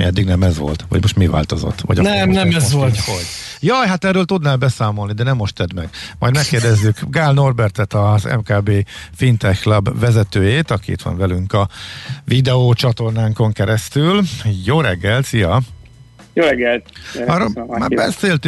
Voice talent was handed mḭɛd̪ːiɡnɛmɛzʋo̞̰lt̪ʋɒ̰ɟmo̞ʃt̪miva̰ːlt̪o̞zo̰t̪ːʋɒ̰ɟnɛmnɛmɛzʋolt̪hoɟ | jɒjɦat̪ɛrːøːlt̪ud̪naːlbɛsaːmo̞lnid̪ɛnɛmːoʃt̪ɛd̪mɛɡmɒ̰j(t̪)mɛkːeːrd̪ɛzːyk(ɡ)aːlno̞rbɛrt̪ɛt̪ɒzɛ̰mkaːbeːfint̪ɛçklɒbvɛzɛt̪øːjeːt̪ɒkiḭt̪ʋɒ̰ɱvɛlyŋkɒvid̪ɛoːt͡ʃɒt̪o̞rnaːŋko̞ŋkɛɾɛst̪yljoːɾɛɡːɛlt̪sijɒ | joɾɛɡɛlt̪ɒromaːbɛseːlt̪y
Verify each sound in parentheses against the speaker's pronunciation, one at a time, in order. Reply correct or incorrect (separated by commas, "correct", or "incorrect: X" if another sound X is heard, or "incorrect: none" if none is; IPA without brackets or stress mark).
incorrect: d̪, correct